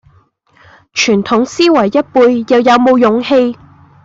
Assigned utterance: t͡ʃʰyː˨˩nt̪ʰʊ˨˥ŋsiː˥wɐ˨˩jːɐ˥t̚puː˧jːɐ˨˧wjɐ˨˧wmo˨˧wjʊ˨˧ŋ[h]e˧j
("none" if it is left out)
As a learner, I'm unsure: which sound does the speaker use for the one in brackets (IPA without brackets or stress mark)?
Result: h